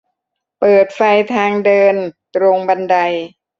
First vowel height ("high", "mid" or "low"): mid